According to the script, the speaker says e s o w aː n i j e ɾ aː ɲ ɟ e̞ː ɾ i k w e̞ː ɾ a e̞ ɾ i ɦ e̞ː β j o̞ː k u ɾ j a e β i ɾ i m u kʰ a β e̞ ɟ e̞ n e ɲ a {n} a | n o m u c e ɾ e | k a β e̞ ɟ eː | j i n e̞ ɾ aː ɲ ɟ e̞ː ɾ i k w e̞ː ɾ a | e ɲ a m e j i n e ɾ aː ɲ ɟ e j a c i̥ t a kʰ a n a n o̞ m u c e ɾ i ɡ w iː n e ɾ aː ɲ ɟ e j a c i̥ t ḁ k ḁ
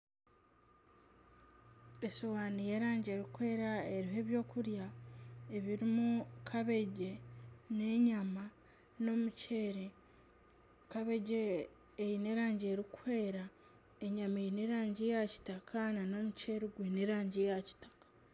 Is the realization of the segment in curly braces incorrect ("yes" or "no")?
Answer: yes